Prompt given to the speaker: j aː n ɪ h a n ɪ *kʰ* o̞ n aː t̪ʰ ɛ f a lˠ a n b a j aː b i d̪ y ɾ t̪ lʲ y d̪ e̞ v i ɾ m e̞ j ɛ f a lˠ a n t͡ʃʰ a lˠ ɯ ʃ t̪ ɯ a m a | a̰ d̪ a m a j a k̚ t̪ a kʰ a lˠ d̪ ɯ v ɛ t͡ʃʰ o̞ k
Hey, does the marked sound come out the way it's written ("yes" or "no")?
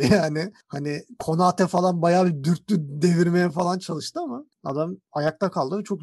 yes